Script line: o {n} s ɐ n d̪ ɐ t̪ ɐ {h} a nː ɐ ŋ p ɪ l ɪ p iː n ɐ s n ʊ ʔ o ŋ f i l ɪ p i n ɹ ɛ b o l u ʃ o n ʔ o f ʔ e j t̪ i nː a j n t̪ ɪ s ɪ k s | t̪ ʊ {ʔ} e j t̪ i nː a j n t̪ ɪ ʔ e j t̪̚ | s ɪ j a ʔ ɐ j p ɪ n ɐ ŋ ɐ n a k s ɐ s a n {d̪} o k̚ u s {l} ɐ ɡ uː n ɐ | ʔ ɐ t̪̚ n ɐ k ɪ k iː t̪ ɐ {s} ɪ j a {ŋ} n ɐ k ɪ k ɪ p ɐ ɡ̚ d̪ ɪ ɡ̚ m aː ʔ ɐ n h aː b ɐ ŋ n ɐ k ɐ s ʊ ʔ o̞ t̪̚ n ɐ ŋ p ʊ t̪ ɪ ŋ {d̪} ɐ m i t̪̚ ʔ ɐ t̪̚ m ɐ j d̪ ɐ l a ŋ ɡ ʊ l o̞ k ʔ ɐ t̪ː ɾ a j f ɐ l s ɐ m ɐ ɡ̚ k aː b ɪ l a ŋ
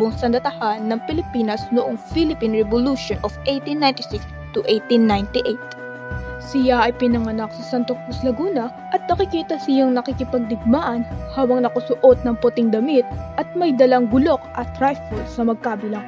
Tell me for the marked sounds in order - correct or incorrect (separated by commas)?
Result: incorrect, correct, correct, incorrect, correct, correct, correct, correct